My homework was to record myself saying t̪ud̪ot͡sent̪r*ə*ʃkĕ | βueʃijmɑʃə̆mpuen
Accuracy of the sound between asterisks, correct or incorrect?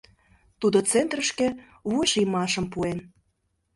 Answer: correct